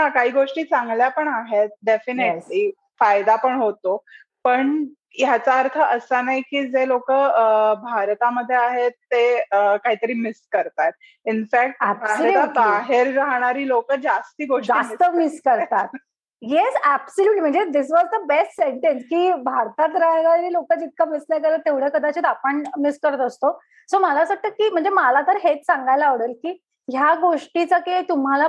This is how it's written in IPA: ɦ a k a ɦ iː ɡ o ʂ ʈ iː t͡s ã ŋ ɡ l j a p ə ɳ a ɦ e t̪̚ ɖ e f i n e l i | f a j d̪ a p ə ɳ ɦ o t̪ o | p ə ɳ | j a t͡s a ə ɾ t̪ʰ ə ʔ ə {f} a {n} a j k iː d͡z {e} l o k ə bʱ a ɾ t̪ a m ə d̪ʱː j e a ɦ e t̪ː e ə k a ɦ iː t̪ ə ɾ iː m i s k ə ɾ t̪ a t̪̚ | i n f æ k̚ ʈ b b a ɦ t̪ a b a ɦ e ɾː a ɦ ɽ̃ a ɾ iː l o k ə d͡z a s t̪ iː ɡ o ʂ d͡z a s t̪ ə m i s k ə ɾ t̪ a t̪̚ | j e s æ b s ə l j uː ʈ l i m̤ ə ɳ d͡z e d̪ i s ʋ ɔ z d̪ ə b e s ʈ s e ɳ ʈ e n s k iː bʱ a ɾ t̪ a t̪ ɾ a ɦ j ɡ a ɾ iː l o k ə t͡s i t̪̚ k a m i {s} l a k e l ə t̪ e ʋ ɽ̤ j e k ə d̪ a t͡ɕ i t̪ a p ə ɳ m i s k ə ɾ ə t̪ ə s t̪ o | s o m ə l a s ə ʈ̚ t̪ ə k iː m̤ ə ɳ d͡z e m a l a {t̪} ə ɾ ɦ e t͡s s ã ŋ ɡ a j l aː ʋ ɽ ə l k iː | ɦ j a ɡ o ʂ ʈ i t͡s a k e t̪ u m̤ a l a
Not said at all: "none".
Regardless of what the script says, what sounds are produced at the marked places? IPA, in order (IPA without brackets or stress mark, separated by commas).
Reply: s, n, e, s, t̪